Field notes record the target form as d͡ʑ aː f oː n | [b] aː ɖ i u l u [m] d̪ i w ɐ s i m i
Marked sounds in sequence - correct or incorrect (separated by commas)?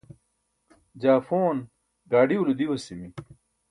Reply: incorrect, incorrect